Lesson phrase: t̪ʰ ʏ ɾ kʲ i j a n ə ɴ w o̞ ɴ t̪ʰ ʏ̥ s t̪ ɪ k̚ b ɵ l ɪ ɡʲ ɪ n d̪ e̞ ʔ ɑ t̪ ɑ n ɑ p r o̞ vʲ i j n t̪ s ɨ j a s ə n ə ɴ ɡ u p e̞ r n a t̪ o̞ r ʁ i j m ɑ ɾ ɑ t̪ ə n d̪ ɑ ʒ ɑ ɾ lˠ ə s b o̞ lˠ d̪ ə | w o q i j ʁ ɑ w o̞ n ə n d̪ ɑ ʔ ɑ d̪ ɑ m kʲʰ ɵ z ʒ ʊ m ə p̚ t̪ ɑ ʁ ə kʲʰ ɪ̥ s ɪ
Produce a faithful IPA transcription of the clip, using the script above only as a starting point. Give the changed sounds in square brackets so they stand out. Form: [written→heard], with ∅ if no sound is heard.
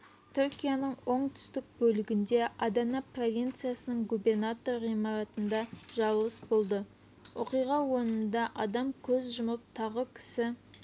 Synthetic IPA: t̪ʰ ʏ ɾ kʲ i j a n ə ɴ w o̞ ɴ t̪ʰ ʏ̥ s t̪ ɪ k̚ b ɵ l ɪ ɡʲ ɪ n d̪ e̞ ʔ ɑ [t̪→d̪] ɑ n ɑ p r o̞ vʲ i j n t̪ s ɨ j a s ə n ə ɴ ɡ u [p→b] e̞ r n a t̪ o̞ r ʁ i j m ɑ ɾ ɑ t̪ ə n d̪ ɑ ʒ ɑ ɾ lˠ ə s b o̞ lˠ d̪ ə | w o q i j ʁ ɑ w o̞ n ə n d̪ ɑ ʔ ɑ d̪ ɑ m kʲʰ ɵ z ʒ ʊ m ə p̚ [t̪→t̪ʰ] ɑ ʁ ə kʲʰ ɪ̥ s ɪ